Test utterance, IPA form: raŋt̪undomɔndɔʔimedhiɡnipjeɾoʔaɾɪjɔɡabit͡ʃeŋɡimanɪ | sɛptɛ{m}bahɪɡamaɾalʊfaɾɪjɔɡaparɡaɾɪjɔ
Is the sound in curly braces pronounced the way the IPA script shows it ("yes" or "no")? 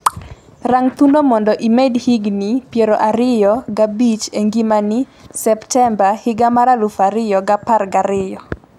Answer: yes